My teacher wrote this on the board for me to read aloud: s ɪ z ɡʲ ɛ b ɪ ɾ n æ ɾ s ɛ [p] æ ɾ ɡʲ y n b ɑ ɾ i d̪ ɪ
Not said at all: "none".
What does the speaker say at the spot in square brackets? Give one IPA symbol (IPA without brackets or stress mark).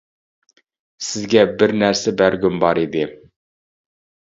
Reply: b